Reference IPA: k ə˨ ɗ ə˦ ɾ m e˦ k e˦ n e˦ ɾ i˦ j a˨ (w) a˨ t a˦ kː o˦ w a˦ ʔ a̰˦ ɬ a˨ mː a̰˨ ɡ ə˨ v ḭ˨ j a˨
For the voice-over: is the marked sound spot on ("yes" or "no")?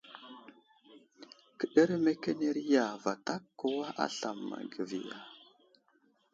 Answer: no